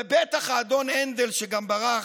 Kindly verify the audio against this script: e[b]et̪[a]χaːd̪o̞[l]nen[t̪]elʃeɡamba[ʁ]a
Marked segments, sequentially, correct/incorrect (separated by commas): correct, correct, incorrect, incorrect, correct